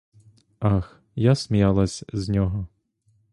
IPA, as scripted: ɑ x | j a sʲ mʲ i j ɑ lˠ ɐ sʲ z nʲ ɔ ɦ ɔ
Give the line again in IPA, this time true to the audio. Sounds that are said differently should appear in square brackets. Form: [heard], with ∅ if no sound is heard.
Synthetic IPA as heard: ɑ x | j a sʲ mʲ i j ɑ lˠ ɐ sʲ z nʲ ɔ ɦ ɔ